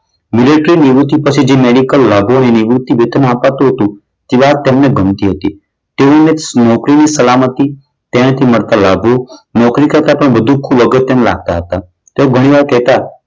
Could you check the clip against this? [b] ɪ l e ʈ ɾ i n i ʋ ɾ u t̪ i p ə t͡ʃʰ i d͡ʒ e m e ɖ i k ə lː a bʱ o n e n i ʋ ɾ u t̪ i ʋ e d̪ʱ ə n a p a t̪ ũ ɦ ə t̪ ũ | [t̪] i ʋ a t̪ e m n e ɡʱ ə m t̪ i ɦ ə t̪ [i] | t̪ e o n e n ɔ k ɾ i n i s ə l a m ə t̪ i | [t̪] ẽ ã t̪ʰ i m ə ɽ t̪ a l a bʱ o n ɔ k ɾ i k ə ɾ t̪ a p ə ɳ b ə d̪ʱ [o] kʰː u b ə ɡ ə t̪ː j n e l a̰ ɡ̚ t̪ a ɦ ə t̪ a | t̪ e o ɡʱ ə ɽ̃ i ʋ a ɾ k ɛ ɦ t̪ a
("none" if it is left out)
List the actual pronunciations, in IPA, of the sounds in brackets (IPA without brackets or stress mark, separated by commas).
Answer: m, t̪, i, t̪, u